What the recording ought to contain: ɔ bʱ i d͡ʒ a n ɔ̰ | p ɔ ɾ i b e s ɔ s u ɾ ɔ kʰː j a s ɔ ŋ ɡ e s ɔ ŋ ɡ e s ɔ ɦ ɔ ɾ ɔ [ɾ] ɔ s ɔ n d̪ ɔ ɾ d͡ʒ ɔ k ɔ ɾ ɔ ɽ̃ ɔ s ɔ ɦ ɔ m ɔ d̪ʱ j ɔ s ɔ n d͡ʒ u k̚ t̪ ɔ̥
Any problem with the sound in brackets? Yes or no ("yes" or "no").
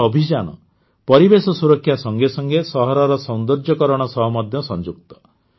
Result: no